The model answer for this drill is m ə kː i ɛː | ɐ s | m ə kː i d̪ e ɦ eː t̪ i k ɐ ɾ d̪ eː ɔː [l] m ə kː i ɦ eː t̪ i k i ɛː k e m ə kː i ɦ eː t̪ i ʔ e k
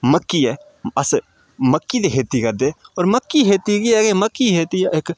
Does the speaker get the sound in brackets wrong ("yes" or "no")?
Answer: yes